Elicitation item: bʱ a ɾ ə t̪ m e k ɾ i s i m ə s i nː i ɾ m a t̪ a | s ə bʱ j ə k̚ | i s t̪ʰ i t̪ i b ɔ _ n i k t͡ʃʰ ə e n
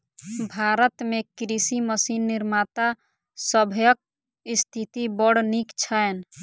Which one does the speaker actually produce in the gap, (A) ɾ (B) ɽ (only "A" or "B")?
B